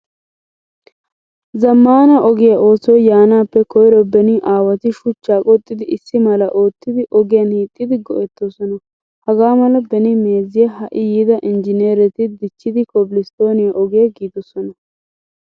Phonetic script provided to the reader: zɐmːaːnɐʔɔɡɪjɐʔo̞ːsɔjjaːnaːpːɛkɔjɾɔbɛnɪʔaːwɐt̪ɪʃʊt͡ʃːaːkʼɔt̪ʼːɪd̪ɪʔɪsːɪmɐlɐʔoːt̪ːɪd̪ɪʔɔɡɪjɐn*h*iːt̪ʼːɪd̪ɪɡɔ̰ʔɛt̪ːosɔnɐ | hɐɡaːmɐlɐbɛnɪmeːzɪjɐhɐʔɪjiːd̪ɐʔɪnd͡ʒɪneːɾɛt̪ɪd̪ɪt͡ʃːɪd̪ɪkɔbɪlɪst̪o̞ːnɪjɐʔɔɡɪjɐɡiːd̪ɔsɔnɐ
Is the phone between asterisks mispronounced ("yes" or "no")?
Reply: no